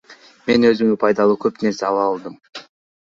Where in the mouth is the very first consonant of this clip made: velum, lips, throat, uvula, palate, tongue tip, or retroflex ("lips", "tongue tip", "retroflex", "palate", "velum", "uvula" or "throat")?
lips